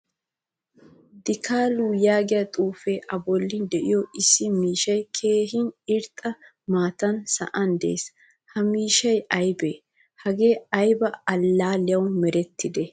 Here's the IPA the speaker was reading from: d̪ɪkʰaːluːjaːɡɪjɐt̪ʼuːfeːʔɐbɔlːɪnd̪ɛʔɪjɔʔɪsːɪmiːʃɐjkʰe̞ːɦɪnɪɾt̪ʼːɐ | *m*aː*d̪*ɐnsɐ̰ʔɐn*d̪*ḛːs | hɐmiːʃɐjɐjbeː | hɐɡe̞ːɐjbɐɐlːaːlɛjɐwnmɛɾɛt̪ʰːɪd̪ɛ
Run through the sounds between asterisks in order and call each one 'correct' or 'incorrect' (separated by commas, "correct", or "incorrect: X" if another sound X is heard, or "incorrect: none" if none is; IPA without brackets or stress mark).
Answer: correct, incorrect: t̪, correct